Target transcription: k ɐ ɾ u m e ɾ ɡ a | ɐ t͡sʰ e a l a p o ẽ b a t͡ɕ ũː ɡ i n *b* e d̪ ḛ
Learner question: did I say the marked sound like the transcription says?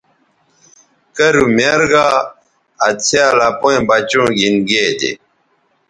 no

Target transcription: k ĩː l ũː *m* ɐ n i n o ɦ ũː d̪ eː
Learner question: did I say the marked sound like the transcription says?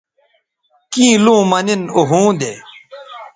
yes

